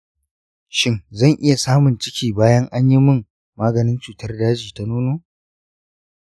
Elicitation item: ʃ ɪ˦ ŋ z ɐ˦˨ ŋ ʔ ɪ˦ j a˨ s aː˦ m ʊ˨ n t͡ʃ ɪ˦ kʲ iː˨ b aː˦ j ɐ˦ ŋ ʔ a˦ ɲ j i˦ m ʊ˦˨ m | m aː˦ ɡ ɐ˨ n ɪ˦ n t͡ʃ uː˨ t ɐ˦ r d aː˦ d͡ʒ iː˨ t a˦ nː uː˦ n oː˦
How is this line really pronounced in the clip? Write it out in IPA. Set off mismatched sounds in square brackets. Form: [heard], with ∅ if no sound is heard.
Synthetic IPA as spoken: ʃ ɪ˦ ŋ z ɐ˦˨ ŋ ʔ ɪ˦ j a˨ s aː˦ m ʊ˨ n t͡ʃ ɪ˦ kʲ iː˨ b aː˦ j ɐ˦ ŋ ʔ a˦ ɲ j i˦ m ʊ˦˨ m | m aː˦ ɡ ɐ˨ n ɪ˦ n t͡ʃ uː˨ t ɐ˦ r d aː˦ d͡ʒ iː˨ t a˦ [n] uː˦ n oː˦

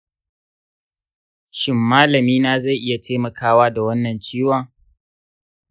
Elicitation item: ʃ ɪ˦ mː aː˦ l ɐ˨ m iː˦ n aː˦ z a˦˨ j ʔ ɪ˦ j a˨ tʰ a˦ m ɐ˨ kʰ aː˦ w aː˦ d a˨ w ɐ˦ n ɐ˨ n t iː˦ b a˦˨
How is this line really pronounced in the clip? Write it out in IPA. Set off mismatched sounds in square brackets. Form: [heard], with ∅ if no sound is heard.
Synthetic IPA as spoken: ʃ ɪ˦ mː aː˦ l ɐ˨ m iː˦ n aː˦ z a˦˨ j ʔ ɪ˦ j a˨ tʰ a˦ m ɐ˨ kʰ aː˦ w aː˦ d a˨ w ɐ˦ [nː] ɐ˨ n [t͡ʃ] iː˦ [w] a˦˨

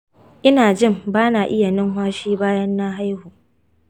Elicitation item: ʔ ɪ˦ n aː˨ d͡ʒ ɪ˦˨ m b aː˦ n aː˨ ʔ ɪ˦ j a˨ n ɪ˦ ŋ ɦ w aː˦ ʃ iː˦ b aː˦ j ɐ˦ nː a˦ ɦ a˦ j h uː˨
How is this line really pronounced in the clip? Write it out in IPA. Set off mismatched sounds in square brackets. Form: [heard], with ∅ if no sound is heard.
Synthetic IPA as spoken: ʔ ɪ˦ n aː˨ d͡ʒ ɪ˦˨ m b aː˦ n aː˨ ʔ ɪ˦ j a˨ n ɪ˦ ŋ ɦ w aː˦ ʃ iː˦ b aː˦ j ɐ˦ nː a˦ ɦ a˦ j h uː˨

